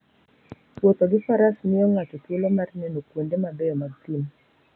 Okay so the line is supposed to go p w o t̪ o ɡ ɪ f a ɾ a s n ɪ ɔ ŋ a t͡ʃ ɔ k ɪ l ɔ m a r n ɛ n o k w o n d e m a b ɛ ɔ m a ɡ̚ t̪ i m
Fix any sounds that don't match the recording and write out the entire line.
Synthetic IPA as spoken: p w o t̪ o ɡ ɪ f a ɾ a s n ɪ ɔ ŋ a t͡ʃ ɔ k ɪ l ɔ m a r n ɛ n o k w o n d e m a b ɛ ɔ m a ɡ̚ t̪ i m